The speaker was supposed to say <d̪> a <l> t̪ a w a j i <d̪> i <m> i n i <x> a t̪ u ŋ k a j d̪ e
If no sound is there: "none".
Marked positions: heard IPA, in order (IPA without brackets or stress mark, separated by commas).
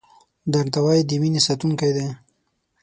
d̪, ɾ, d̪, m, s